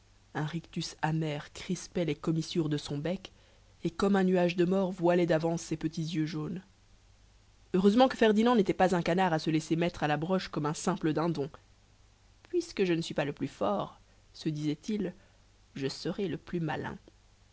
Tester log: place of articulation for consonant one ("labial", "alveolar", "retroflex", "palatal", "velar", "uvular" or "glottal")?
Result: uvular